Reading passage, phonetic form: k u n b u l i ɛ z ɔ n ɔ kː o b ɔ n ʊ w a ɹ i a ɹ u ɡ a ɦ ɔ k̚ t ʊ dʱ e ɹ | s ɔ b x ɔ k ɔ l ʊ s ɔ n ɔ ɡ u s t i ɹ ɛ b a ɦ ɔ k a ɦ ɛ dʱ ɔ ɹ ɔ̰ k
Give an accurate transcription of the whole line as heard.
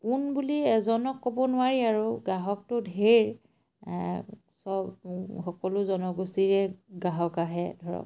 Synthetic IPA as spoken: k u n b u l i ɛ z ɔ n ɔ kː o b ɔ n ʊ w a ɹ i a ɹ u ɡ a ɦ ɔ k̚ t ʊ dʱ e ɹ | s ɔ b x ɔ k ɔ l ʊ z ɔ n ɔ ɡ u s t i ɹ ɛ ɡ a ɦ ɔ k a ɦ ɛ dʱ ɔ ɹ ɔ̰ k